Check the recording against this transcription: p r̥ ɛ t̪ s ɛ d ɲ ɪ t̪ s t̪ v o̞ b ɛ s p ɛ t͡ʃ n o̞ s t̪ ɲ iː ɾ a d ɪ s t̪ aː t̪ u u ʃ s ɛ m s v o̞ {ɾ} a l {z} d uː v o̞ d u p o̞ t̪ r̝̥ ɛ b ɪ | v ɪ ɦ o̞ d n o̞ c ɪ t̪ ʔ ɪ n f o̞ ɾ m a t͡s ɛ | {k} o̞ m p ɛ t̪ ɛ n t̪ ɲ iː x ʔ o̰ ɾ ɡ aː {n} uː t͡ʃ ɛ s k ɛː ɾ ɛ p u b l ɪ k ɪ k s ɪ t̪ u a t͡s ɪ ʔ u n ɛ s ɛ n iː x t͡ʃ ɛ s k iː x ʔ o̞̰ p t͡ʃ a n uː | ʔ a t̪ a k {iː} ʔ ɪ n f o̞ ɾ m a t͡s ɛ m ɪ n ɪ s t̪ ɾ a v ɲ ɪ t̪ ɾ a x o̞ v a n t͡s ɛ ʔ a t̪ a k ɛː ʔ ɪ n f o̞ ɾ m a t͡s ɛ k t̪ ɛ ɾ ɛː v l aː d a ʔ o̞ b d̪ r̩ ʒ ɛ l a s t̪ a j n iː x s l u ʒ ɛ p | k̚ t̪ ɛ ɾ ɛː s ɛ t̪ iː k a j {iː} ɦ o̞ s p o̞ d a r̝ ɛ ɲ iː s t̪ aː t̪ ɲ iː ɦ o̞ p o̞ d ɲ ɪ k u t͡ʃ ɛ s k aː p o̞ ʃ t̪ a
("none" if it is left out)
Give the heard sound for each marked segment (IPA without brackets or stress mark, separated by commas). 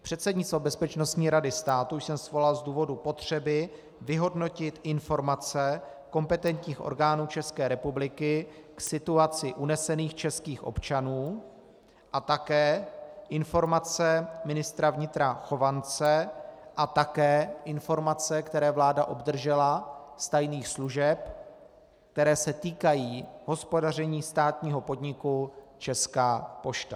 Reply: l, z, k, n, ɛː, iː